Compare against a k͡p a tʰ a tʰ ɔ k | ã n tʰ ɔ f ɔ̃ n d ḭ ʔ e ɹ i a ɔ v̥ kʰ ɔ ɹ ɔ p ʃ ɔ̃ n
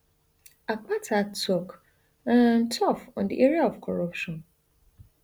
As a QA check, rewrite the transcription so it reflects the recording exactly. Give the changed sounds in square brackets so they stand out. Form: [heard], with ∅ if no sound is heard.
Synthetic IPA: a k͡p a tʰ a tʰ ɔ k | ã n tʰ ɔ f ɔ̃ n d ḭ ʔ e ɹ i a ɔ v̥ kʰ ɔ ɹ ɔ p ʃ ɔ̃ n